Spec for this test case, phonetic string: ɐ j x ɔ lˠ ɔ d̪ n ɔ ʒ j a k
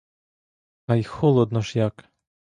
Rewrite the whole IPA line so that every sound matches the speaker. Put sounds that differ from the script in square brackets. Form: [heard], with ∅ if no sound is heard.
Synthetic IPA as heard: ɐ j x ɔ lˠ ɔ d̪ n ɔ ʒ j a k

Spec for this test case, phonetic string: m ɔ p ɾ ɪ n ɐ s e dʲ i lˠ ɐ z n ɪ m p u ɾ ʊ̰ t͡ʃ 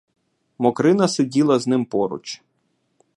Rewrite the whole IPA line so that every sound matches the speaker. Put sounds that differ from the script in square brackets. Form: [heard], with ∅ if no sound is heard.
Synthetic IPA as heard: m ɔ [k] ɾ ɪ n ɐ s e dʲ i lˠ ɐ z n ɪ m p [ɔ] ɾ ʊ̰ t͡ʃ

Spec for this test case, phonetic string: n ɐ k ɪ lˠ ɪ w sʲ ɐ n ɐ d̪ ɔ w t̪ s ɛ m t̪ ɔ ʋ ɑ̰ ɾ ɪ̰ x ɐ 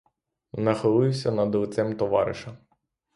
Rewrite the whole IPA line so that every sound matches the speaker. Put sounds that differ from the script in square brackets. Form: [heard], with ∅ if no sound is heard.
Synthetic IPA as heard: n ɐ [x] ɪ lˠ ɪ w sʲ ɐ n ɐ d̪ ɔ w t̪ s ɛ m t̪ ɔ ʋ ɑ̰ ɾ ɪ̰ [ʃ] ɐ

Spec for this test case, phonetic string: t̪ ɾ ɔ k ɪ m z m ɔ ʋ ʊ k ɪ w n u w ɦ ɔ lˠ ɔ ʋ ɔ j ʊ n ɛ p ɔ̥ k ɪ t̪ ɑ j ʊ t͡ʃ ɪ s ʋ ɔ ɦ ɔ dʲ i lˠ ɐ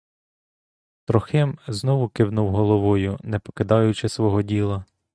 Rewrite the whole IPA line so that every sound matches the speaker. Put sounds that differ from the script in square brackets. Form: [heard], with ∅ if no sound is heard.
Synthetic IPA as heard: t̪ ɾ ɔ [x] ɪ m z [n] ɔ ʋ ʊ k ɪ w n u w ɦ ɔ lˠ ɔ ʋ ɔ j ʊ n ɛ p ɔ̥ k ɪ [d̪] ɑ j ʊ t͡ʃ ɪ s ʋ ɔ ɦ ɔ dʲ i lˠ ɐ

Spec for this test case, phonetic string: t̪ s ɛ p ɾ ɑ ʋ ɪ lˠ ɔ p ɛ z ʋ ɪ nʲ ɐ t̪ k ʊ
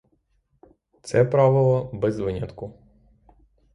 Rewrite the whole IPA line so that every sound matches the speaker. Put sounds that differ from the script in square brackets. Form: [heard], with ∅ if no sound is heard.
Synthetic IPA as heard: t̪ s ɛ p ɾ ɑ ʋ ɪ lˠ ɔ [b] ɛ z ʋ ɪ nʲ ɐ t̪ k ʊ

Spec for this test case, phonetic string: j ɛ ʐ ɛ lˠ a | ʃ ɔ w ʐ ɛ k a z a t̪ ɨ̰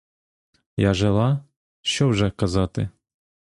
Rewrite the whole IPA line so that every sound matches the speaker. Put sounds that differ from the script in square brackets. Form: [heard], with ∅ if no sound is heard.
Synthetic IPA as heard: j [a] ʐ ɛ lˠ a | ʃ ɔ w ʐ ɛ k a z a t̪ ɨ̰

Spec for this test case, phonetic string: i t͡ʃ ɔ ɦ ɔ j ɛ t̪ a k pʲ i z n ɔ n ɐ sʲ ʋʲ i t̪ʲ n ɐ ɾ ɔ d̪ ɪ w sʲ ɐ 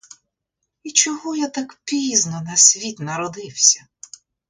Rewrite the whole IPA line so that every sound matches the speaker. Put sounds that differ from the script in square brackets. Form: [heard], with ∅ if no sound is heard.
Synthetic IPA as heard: i t͡ʃ ɔ ɦ ɔ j [a] t̪ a k pʲ i z n ɔ n ɐ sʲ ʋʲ i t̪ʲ n ɐ ɾ ɔ d̪ ɪ w sʲ ɐ

